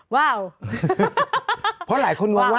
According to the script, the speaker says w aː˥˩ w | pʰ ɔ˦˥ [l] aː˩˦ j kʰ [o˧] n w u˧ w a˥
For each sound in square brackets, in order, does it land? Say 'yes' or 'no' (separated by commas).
yes, yes